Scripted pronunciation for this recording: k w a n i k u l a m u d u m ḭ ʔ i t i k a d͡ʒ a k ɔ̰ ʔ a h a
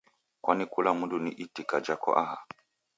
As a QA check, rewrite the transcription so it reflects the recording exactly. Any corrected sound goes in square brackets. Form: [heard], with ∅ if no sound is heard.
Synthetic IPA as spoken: k w a n i k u l a m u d u [n] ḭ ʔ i t i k a d͡ʒ a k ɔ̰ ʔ a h a